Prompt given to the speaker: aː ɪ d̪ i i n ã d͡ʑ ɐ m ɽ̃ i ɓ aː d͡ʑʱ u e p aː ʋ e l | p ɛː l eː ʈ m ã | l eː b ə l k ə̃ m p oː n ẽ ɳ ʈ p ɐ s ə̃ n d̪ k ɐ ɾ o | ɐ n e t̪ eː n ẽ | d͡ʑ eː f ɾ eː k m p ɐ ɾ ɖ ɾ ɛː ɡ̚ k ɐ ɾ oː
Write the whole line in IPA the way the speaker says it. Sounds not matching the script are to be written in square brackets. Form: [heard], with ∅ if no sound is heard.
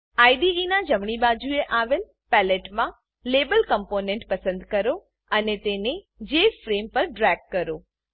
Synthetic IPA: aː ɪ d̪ i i n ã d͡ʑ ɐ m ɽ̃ i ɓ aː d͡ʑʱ u e [ʔ] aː ʋ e l | p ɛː l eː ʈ m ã | l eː b ə l k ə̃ m p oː n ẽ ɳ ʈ p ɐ s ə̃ n d̪ k ɐ ɾ o | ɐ n e t̪ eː n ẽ | d͡ʑ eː f ɾ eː [∅] m p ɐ ɾ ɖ ɾ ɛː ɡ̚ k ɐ ɾ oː